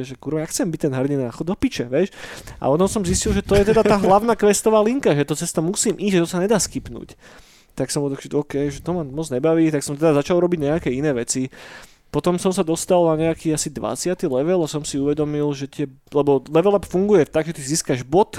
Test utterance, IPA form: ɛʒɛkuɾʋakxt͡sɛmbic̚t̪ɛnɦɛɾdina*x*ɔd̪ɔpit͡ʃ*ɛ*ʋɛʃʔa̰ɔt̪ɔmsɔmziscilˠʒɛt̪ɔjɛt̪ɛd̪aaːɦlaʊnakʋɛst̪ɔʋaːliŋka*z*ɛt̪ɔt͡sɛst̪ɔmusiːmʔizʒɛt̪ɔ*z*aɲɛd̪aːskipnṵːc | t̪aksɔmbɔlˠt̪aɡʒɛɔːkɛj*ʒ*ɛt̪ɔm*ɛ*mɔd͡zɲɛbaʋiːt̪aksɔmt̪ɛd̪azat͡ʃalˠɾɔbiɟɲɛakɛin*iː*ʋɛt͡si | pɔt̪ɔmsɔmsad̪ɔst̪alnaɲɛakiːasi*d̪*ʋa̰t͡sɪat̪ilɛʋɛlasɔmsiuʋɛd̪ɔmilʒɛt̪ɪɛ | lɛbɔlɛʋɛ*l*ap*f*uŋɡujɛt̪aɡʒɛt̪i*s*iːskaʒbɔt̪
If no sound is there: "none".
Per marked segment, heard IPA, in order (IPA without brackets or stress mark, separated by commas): x, ɛ, ʒ, s, ʒ, a, ɛː, d̪, l, f, z